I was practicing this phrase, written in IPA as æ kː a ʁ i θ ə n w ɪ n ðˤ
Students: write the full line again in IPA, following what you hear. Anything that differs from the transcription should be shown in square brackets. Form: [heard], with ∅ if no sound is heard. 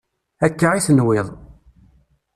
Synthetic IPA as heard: æ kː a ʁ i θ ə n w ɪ [∅] ðˤ